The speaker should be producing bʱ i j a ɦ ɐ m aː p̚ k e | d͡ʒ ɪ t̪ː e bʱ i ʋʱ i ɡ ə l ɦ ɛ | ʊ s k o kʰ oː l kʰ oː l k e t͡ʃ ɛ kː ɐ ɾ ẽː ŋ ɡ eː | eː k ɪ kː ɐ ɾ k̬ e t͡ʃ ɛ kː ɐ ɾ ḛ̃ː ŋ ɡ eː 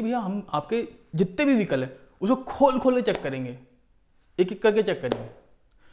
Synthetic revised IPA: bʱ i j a ɦ ɐ m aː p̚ k e | d͡ʒ ɪ t̪ː e bʱ i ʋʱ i k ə l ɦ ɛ | ʊ s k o kʰ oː l kʰ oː l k e t͡ʃ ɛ kː ɐ ɾ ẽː ŋ ɡ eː | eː k ɪ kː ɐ ɾ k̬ e t͡ʃ ɛ kː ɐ ɾ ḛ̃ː ŋ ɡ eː